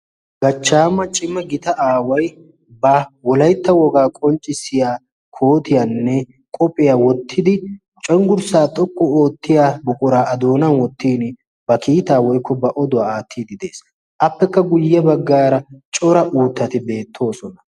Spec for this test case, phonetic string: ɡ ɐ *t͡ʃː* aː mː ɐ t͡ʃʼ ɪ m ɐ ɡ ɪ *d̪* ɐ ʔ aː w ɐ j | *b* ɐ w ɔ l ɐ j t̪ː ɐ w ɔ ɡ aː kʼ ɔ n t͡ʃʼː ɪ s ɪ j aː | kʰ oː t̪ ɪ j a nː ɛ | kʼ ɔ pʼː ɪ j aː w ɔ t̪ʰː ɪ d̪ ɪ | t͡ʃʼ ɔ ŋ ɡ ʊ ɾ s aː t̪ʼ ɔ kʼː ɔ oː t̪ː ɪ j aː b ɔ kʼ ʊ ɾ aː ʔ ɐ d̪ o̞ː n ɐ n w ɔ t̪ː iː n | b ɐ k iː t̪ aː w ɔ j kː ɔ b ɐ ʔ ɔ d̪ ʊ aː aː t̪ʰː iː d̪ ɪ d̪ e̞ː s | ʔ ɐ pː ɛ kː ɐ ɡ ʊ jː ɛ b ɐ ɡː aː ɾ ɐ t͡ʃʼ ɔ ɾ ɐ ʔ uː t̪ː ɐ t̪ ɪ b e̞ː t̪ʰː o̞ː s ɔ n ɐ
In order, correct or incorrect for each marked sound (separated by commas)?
correct, incorrect, correct